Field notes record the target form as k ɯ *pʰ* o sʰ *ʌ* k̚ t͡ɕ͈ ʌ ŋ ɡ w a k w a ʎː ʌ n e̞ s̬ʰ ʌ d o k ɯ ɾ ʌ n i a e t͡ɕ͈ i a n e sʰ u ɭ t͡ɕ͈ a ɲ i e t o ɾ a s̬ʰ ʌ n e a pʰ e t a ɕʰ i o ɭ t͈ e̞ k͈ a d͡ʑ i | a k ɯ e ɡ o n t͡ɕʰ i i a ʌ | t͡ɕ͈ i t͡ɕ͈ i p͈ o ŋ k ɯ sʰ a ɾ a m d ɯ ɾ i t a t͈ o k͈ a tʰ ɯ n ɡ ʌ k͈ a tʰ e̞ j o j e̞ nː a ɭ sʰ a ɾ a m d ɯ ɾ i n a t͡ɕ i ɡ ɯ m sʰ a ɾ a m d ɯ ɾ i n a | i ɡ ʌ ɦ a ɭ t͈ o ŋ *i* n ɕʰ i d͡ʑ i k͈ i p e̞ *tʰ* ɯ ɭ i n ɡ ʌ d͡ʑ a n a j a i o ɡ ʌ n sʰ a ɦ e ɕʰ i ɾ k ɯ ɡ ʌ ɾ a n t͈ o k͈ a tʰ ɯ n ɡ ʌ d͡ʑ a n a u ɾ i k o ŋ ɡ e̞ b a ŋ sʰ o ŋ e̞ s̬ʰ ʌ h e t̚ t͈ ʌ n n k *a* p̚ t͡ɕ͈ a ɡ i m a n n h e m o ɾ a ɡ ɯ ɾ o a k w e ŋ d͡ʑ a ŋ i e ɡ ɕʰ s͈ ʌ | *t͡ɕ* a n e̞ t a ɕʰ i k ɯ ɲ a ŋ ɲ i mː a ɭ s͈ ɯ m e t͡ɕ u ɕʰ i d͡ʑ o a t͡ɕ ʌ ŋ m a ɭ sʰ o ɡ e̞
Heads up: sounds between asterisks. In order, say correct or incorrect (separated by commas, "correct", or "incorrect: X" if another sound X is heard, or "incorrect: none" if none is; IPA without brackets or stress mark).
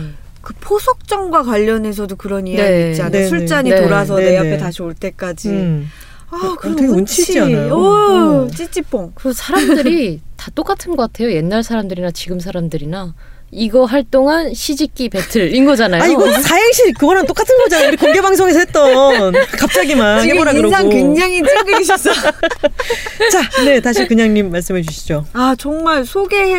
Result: correct, correct, incorrect: a, correct, correct, correct